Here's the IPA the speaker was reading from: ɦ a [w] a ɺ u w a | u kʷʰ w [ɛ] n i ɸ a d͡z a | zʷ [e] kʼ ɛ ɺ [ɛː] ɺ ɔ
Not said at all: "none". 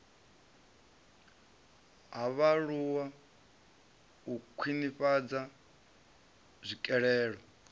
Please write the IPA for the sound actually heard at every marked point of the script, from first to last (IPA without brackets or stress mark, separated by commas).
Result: β, i, i, ɛː